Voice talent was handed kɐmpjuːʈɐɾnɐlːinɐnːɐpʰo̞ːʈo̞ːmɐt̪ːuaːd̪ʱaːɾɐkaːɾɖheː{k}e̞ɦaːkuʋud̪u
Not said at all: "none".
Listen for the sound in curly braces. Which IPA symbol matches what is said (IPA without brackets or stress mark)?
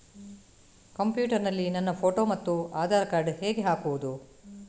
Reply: ɡ